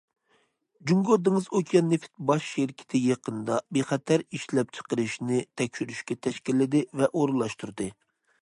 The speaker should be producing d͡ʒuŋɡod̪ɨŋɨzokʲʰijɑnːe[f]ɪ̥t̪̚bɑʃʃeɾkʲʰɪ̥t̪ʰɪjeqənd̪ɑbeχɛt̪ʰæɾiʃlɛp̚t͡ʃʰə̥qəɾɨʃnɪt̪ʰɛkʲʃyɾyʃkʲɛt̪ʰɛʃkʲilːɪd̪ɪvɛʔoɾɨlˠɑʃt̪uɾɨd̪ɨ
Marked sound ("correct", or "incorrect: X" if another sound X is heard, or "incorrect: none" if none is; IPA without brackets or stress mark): correct